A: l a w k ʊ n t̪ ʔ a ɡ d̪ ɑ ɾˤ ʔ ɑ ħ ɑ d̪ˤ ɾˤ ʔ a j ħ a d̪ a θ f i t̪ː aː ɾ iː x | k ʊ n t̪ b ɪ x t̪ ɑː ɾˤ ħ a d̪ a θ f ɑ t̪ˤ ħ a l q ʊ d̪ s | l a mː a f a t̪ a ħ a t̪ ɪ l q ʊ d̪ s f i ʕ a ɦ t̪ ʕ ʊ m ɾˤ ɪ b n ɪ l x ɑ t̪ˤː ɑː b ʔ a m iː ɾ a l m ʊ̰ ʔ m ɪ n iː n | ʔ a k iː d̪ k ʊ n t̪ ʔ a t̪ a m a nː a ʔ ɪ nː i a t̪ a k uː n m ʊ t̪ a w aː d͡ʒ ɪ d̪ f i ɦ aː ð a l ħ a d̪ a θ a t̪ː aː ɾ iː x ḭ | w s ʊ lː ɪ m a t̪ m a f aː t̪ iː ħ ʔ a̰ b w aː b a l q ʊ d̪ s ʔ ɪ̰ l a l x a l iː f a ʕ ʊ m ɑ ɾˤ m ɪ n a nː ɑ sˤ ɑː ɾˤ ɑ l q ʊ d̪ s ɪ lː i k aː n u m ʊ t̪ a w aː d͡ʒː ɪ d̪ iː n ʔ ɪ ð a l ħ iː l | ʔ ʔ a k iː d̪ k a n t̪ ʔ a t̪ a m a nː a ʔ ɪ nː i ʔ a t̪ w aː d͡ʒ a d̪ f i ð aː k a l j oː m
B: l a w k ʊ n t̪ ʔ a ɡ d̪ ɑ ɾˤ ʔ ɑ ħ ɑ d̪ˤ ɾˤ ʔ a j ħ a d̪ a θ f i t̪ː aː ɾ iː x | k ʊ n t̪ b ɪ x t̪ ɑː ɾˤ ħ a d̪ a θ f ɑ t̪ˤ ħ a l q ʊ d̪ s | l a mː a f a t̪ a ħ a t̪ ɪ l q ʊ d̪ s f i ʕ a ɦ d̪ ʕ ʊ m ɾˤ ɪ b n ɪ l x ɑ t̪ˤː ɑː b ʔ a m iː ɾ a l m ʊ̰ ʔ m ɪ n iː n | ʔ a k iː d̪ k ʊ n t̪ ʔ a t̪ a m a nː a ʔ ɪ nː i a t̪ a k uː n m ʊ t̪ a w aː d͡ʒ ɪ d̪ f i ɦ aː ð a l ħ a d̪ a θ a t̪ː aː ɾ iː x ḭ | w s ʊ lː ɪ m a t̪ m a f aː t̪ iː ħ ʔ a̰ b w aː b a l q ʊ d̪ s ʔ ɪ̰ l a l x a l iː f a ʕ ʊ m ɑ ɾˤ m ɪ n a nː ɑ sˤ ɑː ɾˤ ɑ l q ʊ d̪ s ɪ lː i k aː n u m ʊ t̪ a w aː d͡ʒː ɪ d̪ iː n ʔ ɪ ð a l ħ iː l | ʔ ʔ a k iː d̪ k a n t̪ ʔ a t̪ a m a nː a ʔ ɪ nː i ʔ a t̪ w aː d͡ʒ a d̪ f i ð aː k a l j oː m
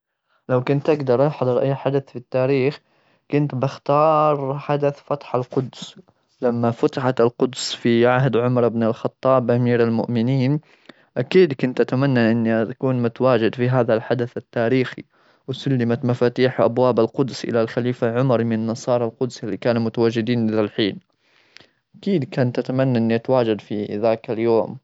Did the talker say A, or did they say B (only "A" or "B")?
B